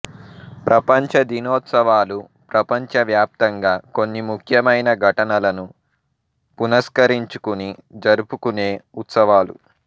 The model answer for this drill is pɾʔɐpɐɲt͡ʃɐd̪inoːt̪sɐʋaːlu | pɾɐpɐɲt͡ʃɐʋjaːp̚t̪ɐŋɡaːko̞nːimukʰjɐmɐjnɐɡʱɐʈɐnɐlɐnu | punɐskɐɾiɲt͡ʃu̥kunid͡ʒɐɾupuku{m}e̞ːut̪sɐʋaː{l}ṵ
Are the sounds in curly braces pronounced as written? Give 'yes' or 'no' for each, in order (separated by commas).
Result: no, yes